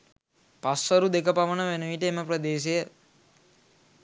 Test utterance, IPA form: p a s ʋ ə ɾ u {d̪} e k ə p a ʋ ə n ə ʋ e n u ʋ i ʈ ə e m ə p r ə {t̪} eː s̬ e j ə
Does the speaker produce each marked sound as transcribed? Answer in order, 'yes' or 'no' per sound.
yes, no

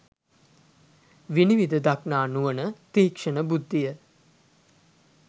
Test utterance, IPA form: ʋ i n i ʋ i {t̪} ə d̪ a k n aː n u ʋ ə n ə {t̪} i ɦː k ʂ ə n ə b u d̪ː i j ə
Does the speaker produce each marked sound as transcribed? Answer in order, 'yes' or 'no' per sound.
no, yes

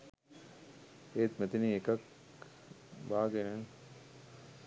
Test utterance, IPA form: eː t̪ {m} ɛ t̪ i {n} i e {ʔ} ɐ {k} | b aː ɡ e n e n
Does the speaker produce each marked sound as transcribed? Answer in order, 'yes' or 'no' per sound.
yes, yes, no, yes

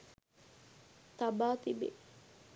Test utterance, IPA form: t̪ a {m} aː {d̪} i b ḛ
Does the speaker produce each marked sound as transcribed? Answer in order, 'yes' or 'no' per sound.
no, no

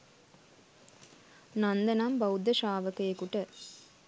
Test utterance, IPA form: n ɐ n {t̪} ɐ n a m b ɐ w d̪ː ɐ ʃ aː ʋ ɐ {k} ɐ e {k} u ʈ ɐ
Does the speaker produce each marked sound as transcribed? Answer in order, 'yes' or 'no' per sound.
no, yes, yes

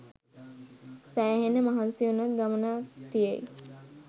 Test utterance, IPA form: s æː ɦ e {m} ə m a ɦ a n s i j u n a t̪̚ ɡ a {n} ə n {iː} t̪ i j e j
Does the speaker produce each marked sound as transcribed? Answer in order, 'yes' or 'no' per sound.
no, no, no

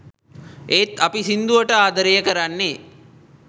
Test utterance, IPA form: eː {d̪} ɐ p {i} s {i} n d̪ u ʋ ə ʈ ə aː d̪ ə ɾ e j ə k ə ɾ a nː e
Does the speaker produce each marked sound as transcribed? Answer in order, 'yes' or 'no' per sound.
no, yes, yes

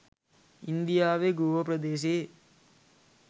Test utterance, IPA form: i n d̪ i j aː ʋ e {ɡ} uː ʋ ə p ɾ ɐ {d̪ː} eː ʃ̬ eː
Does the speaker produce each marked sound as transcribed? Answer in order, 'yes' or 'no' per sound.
yes, no

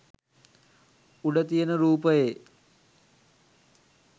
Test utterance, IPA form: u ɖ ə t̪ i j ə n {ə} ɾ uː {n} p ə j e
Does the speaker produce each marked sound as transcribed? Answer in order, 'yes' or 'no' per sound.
yes, no

